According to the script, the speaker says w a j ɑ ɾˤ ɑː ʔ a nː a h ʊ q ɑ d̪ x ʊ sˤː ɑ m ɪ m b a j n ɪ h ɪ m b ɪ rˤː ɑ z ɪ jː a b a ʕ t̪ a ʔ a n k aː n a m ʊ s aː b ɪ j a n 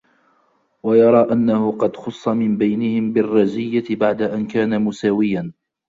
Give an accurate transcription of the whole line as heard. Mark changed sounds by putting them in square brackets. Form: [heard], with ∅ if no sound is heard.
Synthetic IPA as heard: w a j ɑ ɾˤ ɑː ʔ a nː a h ʊ q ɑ d̪ x ʊ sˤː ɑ m ɪ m b a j n ɪ h ɪ m b ɪ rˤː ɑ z ɪ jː a b a ʕ [d̪] a ʔ a n k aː n a m ʊ s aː [w] ɪ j a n